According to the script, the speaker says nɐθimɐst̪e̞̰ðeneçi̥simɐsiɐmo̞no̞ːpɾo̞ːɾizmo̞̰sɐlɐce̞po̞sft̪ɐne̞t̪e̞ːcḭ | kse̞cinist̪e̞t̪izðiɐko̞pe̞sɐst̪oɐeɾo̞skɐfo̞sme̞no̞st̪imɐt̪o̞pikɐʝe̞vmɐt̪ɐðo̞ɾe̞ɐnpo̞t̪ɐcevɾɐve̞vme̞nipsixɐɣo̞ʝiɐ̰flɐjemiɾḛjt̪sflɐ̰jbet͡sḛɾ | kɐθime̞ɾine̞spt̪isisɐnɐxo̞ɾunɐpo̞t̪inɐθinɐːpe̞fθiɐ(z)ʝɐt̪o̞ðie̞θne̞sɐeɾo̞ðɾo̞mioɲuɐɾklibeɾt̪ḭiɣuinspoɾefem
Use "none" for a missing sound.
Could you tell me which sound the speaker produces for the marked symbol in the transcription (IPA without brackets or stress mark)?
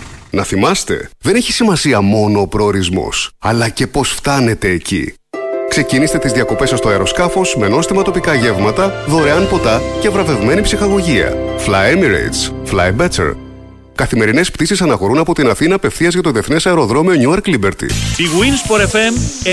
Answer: z